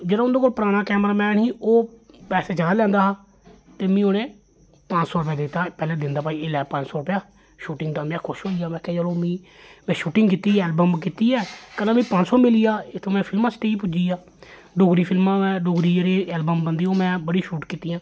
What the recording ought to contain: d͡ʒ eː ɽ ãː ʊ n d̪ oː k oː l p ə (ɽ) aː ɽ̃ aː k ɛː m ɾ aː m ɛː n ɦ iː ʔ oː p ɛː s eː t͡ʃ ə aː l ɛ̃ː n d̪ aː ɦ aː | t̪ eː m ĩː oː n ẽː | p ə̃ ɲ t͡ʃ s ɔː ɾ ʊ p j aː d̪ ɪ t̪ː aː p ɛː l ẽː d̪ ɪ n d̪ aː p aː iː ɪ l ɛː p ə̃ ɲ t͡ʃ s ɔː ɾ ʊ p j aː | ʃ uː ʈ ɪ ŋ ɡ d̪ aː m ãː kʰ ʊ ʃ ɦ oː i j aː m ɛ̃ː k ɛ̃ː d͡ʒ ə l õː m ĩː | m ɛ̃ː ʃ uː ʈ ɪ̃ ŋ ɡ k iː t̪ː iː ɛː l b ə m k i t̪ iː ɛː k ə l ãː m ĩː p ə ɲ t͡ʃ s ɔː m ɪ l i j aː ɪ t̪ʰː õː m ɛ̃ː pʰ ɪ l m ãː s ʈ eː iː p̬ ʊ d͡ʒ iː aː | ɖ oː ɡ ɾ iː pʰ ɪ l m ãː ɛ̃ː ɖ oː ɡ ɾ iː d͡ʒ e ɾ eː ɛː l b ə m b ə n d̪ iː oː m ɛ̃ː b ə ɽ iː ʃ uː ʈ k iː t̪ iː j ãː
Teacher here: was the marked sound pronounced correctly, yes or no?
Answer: no